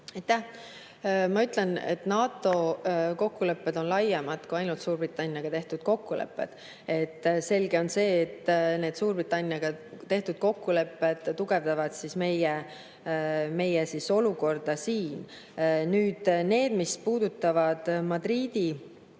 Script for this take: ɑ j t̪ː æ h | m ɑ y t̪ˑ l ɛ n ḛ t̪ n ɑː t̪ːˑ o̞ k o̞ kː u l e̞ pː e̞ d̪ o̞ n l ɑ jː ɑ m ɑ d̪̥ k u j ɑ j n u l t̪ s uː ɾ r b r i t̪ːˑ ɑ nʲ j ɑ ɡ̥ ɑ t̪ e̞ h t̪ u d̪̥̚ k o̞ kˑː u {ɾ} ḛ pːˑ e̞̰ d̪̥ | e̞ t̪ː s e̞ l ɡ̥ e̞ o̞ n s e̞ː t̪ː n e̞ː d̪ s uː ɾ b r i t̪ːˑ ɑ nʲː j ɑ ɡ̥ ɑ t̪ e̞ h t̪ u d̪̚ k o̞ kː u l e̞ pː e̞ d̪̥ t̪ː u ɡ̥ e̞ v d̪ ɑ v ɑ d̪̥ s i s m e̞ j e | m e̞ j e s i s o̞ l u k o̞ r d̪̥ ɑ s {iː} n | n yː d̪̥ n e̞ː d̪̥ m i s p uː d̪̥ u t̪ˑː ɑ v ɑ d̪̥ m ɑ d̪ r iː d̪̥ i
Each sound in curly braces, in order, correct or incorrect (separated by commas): incorrect, correct